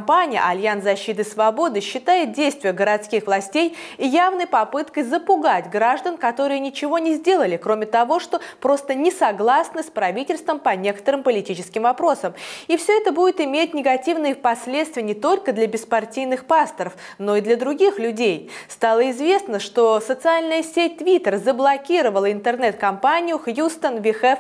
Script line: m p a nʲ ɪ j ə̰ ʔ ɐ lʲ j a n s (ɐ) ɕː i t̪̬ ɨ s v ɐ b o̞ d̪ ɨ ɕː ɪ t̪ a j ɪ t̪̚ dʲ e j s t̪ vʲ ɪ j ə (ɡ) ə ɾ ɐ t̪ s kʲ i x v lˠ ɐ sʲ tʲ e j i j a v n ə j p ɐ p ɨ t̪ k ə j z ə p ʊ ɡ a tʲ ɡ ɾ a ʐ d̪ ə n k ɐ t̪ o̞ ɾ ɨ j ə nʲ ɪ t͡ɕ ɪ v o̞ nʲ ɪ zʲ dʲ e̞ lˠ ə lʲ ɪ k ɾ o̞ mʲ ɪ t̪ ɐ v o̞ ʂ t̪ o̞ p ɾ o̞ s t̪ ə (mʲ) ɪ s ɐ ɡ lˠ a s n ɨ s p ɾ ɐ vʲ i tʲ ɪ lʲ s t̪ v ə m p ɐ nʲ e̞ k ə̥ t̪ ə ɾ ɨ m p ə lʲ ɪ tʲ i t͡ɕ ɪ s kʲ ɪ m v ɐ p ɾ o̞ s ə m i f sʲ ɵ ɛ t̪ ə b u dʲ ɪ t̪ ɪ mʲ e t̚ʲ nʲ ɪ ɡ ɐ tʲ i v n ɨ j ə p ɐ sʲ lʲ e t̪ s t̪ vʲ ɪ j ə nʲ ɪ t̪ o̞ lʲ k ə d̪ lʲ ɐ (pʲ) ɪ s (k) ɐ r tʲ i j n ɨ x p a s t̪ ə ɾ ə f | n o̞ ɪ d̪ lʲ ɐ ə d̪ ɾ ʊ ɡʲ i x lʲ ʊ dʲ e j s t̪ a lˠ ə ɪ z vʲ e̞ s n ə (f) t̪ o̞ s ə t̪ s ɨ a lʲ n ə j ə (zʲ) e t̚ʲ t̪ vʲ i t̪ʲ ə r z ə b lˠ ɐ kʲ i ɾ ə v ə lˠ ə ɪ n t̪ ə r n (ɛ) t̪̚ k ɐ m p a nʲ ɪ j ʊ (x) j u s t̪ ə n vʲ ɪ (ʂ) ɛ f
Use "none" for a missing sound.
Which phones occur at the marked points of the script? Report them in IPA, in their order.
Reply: ɐ, ɡ, nʲ, bʲ, p, ʂ, sʲ, ɛ, x, x

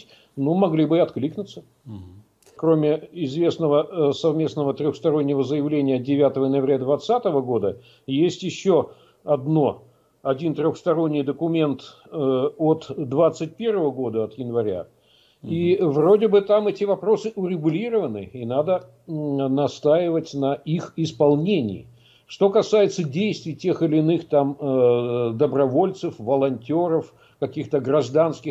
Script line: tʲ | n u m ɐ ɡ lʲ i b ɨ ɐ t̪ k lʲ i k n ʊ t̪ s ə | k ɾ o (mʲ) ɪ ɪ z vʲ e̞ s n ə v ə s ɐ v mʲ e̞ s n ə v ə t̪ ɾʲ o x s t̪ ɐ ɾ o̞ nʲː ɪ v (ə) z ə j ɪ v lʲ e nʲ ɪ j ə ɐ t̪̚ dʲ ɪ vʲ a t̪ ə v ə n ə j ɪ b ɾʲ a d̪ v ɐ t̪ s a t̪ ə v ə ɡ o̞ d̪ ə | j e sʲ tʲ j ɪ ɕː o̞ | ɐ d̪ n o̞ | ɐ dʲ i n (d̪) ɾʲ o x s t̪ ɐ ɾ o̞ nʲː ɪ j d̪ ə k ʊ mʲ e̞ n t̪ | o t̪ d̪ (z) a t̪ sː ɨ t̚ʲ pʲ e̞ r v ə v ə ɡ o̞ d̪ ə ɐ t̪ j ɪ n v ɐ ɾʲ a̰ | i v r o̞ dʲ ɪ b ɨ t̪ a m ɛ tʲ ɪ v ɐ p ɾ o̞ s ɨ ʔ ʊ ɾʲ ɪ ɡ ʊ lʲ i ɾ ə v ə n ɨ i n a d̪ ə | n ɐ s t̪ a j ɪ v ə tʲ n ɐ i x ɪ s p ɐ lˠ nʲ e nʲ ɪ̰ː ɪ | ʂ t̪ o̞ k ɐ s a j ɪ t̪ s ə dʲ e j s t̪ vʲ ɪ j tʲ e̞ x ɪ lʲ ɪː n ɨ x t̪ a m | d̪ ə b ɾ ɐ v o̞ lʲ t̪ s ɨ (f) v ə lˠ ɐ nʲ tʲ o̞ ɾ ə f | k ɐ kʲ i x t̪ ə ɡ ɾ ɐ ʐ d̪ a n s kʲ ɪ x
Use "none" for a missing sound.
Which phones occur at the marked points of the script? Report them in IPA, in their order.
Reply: mʲ, ə, t̪, v, f

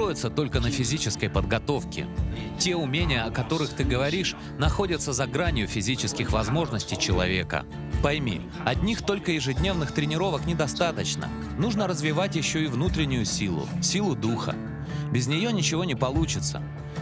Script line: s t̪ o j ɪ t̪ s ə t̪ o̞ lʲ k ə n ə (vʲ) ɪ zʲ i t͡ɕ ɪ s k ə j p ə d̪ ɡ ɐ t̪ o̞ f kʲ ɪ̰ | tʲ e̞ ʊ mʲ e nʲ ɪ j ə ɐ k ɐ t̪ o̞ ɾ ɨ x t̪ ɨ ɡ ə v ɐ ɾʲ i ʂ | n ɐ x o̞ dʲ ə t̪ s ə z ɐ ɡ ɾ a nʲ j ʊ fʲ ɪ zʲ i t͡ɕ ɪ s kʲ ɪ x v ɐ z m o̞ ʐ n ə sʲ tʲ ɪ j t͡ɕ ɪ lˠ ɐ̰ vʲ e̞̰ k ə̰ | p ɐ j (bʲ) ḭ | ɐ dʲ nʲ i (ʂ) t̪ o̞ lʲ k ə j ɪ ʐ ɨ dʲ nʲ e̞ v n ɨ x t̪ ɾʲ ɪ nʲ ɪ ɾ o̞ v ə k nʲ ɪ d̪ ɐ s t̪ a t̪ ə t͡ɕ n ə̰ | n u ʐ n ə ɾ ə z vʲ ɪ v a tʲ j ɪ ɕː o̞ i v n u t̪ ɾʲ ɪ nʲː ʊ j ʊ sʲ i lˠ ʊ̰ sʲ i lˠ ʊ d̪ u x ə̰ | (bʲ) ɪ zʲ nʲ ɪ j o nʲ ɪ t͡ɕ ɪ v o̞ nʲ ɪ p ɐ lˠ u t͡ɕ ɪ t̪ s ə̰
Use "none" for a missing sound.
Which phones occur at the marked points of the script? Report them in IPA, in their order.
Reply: fʲ, mʲ, x, bʲ

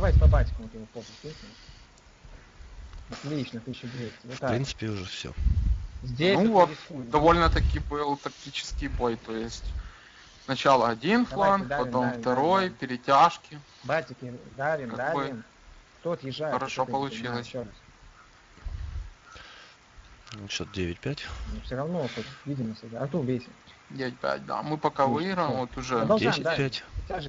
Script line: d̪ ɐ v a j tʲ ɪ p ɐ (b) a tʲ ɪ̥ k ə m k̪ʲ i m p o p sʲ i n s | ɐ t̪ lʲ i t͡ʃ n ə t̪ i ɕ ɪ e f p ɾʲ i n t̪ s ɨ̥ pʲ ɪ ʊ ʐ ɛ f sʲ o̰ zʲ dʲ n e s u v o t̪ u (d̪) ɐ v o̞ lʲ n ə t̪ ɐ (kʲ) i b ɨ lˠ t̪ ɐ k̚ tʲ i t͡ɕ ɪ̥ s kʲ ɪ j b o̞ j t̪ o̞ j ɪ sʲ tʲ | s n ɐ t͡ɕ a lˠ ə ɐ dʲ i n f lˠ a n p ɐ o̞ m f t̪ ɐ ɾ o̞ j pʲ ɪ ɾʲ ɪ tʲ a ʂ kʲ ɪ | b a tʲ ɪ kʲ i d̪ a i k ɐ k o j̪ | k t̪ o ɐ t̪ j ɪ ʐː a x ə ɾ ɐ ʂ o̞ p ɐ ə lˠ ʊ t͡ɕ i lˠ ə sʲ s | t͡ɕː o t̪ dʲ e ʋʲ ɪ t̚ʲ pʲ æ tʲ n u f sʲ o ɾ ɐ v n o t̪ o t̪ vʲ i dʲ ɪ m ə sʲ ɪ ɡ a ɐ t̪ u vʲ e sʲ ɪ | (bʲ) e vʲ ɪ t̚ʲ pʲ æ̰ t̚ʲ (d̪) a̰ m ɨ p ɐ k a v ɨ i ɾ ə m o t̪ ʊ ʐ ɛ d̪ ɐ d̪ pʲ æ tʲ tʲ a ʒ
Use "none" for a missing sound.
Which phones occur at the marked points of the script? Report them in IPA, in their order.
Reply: b, d̪, kʲ, dʲ, d̪

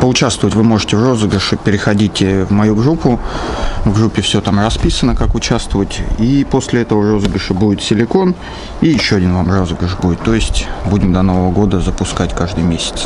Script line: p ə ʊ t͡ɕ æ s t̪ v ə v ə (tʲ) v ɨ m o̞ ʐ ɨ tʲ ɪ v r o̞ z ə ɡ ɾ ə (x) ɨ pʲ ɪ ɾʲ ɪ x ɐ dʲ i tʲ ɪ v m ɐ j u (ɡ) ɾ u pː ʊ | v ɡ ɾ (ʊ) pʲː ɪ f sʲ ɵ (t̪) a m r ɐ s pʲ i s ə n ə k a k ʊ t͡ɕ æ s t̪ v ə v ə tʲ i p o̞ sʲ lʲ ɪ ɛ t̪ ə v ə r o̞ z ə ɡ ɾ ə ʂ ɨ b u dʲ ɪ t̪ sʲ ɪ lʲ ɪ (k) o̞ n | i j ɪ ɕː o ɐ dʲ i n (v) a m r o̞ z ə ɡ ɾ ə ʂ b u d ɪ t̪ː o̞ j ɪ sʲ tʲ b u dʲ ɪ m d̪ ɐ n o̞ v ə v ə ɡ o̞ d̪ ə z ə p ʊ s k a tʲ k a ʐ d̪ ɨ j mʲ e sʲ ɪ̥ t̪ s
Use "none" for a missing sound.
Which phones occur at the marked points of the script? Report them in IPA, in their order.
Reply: tʲ, ʂ, ɡ, u, t̪, k, v

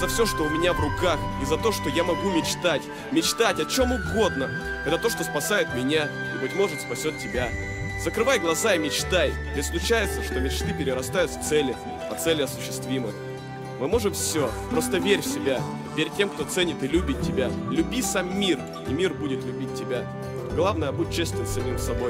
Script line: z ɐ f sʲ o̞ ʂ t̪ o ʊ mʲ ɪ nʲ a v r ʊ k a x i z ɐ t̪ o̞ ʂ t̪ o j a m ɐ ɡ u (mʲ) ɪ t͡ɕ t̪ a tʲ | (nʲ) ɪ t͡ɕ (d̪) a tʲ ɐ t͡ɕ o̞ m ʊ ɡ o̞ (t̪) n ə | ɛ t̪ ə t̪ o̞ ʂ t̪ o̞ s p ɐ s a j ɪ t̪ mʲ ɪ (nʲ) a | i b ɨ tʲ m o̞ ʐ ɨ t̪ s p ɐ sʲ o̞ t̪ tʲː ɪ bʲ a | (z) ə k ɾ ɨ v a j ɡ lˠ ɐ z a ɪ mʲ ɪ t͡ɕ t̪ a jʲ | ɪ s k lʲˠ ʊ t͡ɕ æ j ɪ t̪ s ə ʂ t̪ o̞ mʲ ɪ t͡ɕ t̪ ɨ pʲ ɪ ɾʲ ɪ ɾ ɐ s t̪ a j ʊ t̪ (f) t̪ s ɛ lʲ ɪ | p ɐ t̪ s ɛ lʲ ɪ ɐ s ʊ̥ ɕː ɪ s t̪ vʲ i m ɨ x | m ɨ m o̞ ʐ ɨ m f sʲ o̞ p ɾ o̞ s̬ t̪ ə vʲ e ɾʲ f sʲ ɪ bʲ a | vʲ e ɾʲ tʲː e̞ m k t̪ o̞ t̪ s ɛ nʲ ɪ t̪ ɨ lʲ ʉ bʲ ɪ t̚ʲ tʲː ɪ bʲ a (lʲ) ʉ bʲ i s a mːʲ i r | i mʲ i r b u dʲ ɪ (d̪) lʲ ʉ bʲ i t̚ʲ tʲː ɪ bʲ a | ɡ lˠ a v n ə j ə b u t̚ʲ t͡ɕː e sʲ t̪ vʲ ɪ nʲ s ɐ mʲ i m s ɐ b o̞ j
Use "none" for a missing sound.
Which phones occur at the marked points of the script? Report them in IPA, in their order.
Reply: mʲ, mʲ, t̪, d̪, nʲ, z, f, lʲ, t̪

